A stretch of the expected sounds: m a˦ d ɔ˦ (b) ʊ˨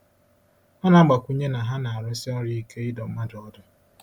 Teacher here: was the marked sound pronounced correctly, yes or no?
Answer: no